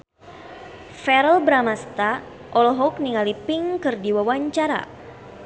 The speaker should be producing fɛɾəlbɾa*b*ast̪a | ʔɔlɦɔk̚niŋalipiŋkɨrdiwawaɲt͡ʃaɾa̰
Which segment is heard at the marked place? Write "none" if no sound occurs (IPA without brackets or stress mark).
m